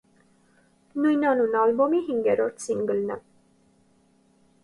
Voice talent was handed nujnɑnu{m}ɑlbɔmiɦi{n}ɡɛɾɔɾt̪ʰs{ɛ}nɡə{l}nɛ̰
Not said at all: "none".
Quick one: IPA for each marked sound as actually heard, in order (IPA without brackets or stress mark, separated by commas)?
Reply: n, ŋ, i, l